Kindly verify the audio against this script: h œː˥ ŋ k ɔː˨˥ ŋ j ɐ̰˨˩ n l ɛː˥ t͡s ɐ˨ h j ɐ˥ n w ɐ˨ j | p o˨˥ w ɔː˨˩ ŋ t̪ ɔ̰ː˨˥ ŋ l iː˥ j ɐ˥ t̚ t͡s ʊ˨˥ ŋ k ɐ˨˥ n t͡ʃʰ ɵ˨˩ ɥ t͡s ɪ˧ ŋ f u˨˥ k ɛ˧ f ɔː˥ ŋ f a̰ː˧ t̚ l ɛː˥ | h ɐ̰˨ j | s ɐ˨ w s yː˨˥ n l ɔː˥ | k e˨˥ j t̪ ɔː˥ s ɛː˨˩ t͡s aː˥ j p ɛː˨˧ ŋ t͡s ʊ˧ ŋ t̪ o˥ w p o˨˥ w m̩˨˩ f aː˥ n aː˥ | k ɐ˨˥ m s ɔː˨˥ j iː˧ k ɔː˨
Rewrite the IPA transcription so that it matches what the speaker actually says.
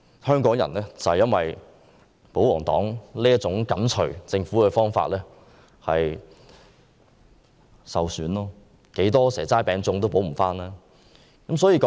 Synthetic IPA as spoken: h œː˥ ŋ k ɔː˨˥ ŋ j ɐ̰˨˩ n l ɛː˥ t͡s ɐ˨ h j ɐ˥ n w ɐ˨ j | p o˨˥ w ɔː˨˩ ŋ t̪ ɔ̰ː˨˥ ŋ l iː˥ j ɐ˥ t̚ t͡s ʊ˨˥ ŋ k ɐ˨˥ n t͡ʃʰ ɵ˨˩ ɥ t͡s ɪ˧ ŋ f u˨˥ k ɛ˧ f ɔː˥ ŋ f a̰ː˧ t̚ l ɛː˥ | h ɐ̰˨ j | s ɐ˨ w s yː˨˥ n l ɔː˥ | k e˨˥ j t̪ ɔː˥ s ɛː˨˩ t͡s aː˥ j p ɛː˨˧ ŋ t͡s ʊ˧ ŋ t̪ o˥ w p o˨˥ w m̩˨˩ f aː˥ n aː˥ | k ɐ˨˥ m s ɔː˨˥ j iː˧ k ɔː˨

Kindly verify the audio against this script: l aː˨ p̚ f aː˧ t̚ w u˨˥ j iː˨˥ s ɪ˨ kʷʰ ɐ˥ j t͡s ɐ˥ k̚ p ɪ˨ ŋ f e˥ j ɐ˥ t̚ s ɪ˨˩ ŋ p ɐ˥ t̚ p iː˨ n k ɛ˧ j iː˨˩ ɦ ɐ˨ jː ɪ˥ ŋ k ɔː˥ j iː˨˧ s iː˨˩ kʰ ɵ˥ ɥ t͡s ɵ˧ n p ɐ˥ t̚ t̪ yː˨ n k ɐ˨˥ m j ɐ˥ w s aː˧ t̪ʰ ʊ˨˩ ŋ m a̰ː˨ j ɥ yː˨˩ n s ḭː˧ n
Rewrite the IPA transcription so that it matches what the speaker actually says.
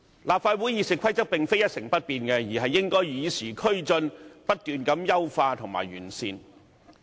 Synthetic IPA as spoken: l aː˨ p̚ f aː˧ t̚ w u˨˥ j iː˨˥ s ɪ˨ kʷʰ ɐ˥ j t͡s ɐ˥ k̚ p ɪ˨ ŋ f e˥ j ɐ˥ t̚ s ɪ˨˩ ŋ p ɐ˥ t̚ p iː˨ n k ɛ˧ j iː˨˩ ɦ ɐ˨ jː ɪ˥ ŋ k ɔː˥ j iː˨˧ s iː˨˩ kʰ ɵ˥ ɥ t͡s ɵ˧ n p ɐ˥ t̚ t̪ yː˨ n k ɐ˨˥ m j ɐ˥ w f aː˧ t̪ʰ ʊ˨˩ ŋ m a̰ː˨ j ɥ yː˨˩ n s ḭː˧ n

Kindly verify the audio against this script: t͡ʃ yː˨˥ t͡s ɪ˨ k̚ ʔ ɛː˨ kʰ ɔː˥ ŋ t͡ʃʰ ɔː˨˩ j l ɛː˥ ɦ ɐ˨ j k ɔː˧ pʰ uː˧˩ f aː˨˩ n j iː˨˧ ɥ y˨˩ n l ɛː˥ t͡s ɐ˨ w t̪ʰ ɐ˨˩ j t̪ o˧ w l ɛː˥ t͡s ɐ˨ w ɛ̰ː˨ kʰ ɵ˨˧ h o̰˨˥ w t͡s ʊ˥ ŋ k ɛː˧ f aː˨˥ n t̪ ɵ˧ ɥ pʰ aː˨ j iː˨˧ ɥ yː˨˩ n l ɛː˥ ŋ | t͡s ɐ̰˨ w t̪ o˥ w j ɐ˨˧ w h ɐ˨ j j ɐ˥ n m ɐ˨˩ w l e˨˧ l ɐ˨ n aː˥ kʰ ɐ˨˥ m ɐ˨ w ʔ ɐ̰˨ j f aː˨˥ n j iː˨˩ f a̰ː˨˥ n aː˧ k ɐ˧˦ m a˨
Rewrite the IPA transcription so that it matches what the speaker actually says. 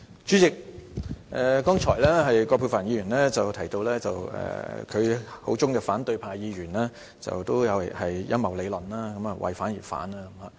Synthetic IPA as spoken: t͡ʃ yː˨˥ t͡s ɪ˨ k̚ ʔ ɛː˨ k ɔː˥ ŋ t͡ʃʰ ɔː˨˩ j l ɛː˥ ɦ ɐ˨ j k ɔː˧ pʰ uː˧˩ f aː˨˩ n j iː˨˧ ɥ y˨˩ n l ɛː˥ t͡s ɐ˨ w t̪ʰ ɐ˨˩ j t̪ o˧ w l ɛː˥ t͡s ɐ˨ w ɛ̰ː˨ kʰ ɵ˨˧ h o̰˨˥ w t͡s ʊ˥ ŋ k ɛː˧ f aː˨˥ n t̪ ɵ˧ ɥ pʰ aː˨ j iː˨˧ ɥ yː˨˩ n l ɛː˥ | t͡s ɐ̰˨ w t̪ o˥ w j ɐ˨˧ w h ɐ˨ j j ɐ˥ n m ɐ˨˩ w l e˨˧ l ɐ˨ n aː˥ k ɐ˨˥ m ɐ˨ w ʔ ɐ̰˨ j f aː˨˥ n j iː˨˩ f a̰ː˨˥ n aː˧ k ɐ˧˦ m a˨

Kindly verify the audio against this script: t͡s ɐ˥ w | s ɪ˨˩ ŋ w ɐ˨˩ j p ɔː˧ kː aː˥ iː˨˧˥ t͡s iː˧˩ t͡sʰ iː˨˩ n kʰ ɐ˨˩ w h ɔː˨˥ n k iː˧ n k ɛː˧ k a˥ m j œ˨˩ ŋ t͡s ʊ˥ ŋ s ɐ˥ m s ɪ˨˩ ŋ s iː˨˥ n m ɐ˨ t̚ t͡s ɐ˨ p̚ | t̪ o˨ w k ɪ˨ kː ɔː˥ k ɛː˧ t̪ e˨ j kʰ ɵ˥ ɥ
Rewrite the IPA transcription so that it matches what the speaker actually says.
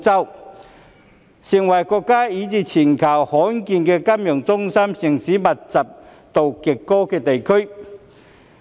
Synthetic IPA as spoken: t͡s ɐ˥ w | s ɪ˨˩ ŋ w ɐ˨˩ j k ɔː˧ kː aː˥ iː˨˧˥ t͡s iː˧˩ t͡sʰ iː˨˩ n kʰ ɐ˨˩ w h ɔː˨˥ n k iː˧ n k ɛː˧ k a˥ m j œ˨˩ ŋ t͡s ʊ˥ ŋ s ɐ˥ m s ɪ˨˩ ŋ s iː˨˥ m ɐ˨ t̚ t͡s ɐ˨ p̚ | t̪ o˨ w k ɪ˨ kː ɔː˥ k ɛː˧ t̪ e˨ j kʰ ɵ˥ ɥ

